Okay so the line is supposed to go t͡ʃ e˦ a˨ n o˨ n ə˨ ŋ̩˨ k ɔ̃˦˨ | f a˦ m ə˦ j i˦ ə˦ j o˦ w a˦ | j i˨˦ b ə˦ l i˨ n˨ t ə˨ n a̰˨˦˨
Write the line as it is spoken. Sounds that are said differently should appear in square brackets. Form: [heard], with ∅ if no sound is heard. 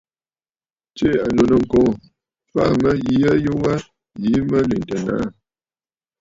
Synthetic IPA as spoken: t͡ʃ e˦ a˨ n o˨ n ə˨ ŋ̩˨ k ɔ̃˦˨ | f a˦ m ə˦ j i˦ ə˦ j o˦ w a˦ | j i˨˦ [m] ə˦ l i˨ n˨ t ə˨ n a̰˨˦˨